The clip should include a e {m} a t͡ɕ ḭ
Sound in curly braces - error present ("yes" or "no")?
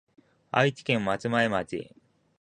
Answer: no